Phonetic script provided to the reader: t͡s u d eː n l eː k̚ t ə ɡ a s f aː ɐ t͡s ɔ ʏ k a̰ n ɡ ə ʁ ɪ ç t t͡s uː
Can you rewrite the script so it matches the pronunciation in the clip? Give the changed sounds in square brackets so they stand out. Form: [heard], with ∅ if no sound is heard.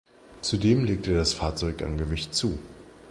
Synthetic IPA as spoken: t͡s u d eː [m] l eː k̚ t ə [d] a s f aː ɐ t͡s ɔ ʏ k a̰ n ɡ ə [v] ɪ ç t t͡s uː